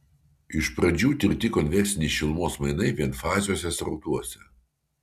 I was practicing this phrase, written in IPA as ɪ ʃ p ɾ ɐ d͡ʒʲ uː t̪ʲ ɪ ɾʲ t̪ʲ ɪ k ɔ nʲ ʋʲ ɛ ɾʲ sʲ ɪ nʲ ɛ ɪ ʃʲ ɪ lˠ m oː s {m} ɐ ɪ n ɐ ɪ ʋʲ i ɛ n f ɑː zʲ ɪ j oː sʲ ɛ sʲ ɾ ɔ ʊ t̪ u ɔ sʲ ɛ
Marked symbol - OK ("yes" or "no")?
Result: yes